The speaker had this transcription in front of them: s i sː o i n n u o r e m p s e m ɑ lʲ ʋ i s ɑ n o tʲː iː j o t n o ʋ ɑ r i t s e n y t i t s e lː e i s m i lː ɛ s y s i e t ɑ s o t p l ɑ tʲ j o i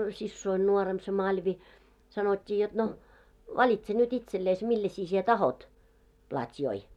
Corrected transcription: s i sː o i n n u o r e m p s e m ɑ lʲ ʋ i s ɑ n o tʲː iː j o t n o ʋ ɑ l i t s e n y t i t s e lː e i s m i lː ɛ s i s i e t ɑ h o t p l ɑ tʲ j o i